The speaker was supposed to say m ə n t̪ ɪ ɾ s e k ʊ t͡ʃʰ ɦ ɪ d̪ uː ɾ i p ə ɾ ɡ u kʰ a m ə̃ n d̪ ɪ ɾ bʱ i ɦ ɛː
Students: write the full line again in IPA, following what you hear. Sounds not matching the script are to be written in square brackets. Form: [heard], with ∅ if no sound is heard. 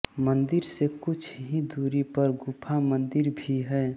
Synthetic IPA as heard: m ə n [d̪] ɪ ɾ s e k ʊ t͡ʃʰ ɦ [i] d̪ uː ɾ i p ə ɾ ɡ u [pʰ] a m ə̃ n d̪ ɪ ɾ bʱ i ɦ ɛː